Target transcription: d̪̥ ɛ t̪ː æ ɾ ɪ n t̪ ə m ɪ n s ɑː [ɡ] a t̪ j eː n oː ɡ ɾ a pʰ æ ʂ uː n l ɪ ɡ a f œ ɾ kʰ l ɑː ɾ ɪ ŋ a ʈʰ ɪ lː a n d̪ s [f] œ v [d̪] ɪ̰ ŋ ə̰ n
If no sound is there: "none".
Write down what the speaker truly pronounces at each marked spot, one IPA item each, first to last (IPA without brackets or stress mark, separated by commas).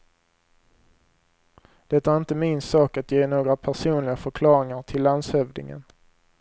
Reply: k, h, d̪